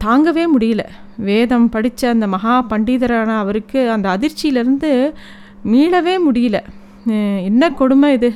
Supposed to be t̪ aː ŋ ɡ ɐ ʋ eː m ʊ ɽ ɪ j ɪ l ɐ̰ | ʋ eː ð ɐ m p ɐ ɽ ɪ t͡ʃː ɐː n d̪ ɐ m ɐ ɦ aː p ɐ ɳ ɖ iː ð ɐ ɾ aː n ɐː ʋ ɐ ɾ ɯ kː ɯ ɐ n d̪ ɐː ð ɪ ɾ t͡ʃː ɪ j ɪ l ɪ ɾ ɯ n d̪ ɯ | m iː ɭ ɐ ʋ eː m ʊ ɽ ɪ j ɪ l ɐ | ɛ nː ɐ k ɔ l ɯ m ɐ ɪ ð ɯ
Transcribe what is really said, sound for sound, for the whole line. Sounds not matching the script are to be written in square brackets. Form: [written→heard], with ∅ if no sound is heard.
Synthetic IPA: t̪ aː ŋ ɡ ɐ ʋ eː m ʊ ɽ ɪ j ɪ l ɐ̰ | ʋ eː ð ɐ m p ɐ ɽ ɪ t͡ʃː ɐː n d̪ ɐ m ɐ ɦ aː p ɐ ɳ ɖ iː ð ɐ ɾ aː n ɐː ʋ ɐ ɾ ɯ kː ɯ ɐ n d̪ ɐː ð ɪ ɾ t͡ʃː ɪ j ɪ l ɪ ɾ ɯ n d̪ ɯ | m iː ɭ ɐ ʋ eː m ʊ ɽ ɪ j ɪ l ɐ | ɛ nː ɐ k ɔ [l→ɽ] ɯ m ɐ ɪ ð ɯ